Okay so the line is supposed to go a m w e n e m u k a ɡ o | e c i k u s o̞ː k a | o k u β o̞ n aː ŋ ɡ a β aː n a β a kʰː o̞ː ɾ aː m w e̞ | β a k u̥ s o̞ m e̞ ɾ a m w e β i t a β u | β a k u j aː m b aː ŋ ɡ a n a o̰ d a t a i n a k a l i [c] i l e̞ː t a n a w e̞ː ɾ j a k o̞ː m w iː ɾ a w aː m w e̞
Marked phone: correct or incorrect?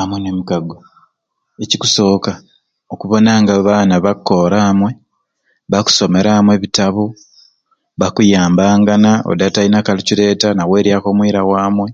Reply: correct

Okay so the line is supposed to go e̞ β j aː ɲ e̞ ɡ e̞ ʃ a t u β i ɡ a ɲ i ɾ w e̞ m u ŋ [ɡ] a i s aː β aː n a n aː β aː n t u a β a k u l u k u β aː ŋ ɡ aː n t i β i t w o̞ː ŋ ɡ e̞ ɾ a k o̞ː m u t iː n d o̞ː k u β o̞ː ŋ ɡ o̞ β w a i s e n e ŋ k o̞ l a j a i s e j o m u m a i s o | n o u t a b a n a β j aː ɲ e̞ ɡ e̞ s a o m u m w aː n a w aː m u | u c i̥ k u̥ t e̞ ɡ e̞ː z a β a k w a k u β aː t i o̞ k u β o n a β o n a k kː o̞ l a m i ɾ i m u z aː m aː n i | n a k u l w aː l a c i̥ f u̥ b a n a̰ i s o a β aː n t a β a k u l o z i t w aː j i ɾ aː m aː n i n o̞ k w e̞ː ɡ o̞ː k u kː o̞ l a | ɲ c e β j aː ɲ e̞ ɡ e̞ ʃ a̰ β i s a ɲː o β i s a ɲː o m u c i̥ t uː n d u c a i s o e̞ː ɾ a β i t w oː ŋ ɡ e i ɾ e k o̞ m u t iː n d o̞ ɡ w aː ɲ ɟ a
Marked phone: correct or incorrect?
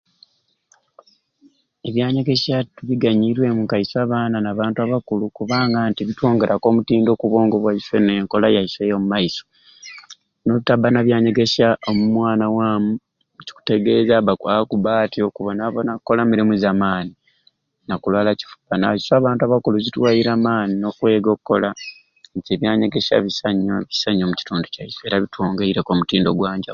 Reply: incorrect: k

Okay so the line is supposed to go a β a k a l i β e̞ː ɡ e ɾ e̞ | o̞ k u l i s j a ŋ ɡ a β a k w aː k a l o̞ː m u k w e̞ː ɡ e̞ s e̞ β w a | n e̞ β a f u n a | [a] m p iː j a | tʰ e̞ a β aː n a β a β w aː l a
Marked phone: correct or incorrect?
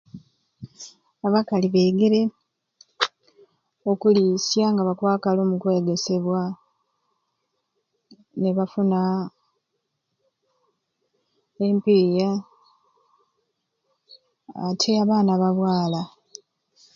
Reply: incorrect: e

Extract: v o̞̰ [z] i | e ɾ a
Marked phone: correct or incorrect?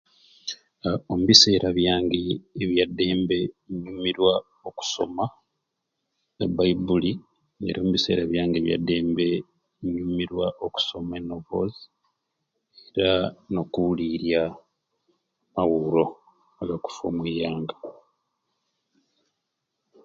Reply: correct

